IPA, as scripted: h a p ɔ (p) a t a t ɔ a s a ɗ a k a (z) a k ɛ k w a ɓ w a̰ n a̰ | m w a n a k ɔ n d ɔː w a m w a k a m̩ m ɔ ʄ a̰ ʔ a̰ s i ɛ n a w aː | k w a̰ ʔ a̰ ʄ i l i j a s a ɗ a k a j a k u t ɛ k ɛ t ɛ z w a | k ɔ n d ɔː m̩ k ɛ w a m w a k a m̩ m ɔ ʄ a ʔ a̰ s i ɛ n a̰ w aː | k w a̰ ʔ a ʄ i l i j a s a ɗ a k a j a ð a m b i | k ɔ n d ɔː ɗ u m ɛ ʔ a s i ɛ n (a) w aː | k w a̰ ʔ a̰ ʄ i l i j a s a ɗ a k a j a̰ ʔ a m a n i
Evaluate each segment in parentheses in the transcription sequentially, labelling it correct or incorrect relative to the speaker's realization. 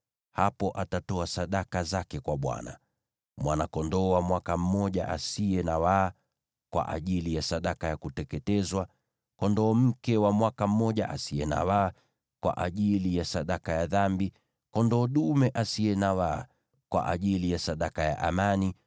incorrect, correct, correct

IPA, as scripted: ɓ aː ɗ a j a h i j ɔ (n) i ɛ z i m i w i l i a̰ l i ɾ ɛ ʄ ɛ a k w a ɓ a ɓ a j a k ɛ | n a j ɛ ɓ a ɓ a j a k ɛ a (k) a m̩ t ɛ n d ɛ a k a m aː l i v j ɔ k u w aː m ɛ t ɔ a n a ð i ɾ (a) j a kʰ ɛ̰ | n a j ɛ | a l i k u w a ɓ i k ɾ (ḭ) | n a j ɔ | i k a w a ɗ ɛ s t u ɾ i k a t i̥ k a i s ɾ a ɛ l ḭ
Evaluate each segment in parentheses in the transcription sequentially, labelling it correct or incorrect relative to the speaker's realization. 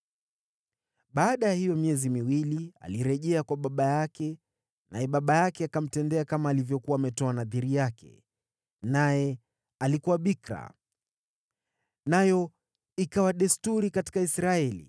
incorrect, correct, incorrect, incorrect

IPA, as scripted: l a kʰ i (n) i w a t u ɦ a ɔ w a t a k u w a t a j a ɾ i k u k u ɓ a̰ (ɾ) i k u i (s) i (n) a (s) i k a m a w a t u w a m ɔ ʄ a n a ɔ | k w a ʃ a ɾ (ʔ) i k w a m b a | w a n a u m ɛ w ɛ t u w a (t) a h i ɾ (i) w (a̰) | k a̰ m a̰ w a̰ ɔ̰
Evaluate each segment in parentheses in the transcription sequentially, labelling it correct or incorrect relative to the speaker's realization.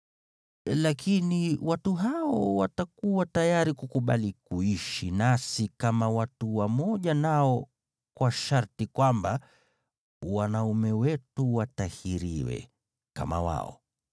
correct, incorrect, incorrect, correct, correct, incorrect, correct, correct, incorrect

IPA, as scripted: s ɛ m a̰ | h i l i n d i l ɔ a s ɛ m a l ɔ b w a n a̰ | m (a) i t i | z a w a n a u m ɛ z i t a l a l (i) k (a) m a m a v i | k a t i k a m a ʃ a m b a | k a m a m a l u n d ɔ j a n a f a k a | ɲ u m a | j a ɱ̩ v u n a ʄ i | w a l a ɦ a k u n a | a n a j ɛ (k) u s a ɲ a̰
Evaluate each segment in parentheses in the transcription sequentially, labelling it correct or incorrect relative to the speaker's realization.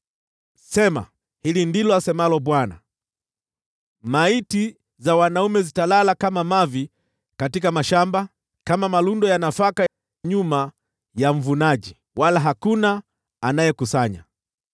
correct, incorrect, correct, correct

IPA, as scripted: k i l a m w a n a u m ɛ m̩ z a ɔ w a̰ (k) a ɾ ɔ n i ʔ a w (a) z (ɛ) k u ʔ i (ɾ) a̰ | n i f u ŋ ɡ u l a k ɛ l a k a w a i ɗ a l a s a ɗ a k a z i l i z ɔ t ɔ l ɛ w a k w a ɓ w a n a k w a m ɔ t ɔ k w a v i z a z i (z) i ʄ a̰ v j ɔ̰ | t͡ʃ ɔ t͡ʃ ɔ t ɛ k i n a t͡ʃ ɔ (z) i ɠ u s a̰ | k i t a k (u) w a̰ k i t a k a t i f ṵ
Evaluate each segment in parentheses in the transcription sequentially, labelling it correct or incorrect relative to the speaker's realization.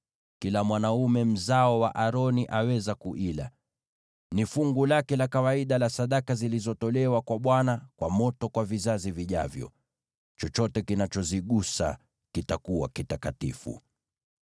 incorrect, incorrect, incorrect, incorrect, incorrect, correct, correct

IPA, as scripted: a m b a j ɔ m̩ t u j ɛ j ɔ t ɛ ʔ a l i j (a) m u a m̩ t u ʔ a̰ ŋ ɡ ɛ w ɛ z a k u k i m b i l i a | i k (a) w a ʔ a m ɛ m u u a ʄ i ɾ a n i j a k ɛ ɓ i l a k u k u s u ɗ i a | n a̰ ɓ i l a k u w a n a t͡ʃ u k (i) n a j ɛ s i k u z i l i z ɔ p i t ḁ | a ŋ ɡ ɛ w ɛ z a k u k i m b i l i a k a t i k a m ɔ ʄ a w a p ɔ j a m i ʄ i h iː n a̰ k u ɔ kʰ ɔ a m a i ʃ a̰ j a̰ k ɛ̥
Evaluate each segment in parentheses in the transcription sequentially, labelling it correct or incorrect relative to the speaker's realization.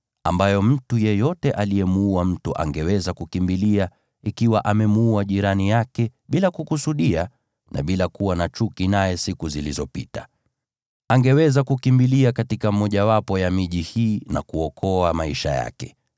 incorrect, incorrect, correct

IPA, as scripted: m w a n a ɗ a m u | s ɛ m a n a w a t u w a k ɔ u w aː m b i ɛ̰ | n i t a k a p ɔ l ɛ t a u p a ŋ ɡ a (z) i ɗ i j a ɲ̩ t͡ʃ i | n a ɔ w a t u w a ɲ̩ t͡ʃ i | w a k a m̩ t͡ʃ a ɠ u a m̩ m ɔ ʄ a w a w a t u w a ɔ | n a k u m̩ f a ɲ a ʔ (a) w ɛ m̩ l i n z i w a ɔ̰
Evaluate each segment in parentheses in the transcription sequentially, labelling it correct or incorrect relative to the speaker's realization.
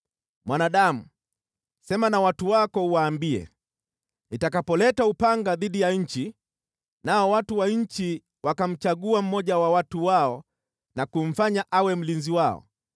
incorrect, correct

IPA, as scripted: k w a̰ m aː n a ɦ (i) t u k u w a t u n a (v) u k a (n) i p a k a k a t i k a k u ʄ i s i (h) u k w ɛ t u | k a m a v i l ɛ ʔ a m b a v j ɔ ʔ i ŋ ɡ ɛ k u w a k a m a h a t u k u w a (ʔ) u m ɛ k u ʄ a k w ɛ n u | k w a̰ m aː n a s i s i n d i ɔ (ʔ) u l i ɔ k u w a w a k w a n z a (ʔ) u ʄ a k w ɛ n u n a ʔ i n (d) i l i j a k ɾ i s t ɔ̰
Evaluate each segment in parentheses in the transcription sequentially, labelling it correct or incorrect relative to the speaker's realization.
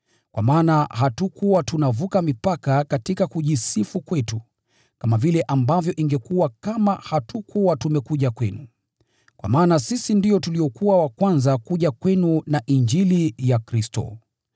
incorrect, correct, incorrect, incorrect, incorrect, incorrect, incorrect, incorrect

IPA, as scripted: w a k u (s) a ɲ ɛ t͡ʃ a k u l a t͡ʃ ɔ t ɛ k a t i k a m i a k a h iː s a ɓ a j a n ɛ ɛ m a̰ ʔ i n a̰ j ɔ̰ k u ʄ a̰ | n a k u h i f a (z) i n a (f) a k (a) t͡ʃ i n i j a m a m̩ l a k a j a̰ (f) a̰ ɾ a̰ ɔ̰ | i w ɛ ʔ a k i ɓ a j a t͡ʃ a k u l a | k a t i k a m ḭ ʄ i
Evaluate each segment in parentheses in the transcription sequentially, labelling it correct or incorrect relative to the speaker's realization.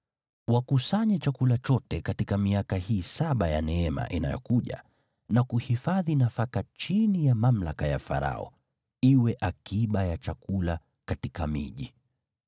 correct, incorrect, correct, correct, correct

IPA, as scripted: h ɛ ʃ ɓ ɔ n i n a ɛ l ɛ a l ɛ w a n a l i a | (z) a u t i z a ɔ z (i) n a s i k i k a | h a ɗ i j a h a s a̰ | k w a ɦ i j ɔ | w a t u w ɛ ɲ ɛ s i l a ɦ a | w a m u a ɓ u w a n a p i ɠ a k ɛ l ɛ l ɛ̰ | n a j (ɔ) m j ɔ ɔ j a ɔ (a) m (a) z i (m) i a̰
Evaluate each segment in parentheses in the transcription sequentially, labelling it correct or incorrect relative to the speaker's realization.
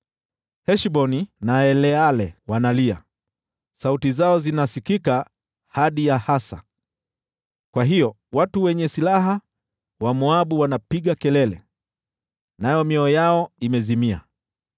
incorrect, correct, correct, incorrect, incorrect, correct

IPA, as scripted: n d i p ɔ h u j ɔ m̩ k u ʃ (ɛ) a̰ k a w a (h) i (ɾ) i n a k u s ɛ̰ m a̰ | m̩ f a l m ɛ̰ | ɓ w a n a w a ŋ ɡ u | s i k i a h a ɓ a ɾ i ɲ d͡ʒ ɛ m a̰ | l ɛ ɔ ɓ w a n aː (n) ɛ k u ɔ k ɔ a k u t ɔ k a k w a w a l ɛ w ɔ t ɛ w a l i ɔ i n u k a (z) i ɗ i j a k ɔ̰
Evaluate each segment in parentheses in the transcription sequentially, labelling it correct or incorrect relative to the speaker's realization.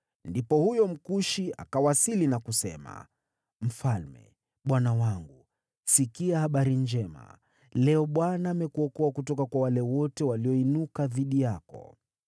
incorrect, incorrect, incorrect, incorrect, incorrect

